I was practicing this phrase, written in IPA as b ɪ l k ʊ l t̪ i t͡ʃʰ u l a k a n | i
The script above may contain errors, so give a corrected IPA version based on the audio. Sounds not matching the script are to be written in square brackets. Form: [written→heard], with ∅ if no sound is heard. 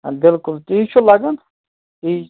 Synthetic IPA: b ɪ l k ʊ l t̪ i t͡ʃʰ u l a [k→ɡ] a n | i

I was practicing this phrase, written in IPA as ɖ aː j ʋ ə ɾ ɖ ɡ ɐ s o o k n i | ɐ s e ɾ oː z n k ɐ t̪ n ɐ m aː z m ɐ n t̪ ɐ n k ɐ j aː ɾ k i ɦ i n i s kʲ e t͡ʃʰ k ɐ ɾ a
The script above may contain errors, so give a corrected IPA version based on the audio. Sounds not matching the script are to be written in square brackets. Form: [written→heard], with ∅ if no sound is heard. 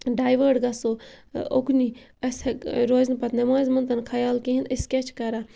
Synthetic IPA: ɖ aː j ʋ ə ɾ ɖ ɡ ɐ s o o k n i | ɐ s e ɾ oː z n [k→p] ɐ t̪ n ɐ m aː z m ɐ n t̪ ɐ n [k→kʰ] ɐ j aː [ɾ→l] k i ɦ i n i s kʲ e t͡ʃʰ k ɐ ɾ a

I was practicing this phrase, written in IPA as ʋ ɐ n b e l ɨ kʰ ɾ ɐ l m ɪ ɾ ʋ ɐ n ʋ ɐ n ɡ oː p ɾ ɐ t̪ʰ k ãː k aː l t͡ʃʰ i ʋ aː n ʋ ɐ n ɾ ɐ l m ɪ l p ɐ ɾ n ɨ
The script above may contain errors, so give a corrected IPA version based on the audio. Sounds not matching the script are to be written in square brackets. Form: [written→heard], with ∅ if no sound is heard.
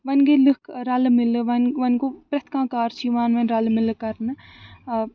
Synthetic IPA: ʋ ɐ n [b→ɡ] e l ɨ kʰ ɾ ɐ l m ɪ [ɾ→l] ʋ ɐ n ʋ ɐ n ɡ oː p ɾ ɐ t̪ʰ k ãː k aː [l→ɾ] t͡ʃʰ i ʋ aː n ʋ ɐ n ɾ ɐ l m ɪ l [p→k] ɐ ɾ n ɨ

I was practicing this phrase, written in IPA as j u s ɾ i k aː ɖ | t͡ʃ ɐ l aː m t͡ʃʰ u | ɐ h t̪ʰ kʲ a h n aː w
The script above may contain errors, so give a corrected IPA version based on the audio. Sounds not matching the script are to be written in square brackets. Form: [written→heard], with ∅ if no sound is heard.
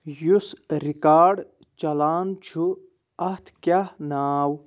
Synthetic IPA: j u s ɾ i k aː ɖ | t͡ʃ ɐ l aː [m→n] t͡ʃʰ u | ɐ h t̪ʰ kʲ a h n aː w

